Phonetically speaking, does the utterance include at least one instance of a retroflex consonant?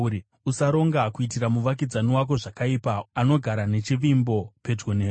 yes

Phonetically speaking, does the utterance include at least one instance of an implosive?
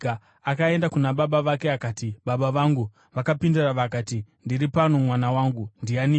yes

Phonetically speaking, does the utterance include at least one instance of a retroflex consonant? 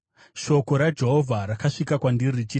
yes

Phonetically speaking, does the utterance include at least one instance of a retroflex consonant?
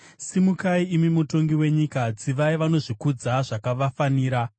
yes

